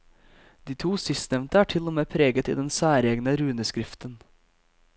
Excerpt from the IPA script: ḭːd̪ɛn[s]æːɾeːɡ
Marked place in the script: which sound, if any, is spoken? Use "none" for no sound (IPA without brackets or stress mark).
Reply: s